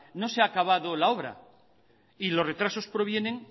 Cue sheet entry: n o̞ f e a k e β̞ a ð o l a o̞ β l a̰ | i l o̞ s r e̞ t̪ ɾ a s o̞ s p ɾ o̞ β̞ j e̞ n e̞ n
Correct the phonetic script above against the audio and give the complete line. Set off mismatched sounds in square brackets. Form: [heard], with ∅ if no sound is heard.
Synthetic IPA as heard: n o̞ [s] e a k [a] β̞ a ð o l a o̞ β [ɾ] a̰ | i l o̞ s r e̞ t̪ ɾ a s o̞ s p ɾ o̞ β̞ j e̞ n e̞ [ŋ]